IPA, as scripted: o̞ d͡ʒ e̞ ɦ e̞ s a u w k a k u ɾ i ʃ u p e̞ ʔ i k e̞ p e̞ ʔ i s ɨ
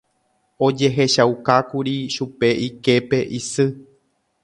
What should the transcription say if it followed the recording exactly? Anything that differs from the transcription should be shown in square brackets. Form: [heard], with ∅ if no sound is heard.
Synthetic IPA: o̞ d͡ʒ e̞ ɦ e̞ [ʃ] a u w k a k u ɾ i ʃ u p e̞ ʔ i k e̞ p e̞ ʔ i s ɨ